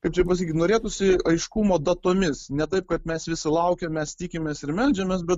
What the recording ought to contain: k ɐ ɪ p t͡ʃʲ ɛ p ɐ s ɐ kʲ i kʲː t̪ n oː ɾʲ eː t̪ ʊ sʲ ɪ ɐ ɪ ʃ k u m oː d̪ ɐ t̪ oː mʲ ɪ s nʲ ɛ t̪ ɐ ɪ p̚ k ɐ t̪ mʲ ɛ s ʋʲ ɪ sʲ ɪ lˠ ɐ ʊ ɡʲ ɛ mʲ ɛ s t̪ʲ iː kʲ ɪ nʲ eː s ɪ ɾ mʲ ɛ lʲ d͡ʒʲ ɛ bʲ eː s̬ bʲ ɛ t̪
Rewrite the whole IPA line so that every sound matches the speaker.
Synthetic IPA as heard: k ɐ ɪ p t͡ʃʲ ɛ p ɐ s ɐ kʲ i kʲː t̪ n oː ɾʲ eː t̪ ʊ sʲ ɪ ɐ ɪ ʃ k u m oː d̪ ɐ t̪ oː mʲ ɪ s nʲ ɛ t̪ ɐ ɪ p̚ k ɐ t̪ mʲ ɛ s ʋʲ ɪ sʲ ɪ lˠ ɐ ʊ kʲ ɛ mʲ ɛ s t̪ʲ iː kʲ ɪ mʲ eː s ɪ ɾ mʲ ɛ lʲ d͡ʒʲ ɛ mʲ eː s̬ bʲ ɛ t̪